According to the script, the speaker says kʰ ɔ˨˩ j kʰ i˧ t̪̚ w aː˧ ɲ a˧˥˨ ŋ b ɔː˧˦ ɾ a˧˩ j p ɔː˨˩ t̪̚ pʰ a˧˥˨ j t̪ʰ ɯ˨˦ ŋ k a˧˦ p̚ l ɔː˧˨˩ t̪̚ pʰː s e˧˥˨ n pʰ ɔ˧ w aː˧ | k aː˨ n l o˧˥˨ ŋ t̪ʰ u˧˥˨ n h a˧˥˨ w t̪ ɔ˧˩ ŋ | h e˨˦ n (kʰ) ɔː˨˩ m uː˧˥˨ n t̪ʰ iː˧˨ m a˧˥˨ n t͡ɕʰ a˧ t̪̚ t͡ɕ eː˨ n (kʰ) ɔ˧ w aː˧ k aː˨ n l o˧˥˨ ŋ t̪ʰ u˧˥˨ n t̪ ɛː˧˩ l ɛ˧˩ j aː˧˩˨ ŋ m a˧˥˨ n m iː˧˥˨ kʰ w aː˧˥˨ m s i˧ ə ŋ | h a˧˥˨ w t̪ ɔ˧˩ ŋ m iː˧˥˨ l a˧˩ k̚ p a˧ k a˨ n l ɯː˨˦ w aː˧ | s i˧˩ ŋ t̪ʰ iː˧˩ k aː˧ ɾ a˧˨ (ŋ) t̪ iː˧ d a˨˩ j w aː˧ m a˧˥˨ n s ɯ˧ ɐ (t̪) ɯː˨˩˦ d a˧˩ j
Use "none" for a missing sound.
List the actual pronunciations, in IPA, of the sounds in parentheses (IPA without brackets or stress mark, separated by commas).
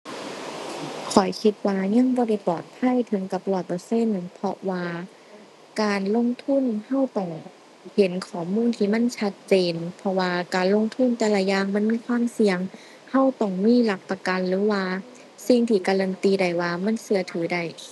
kʰ, pʰ, n, t̪ʰ